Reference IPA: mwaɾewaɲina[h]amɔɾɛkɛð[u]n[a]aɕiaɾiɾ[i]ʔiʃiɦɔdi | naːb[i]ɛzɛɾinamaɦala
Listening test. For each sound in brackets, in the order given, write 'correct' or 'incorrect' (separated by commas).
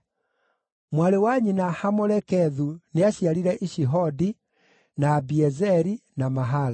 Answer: correct, correct, incorrect, incorrect, correct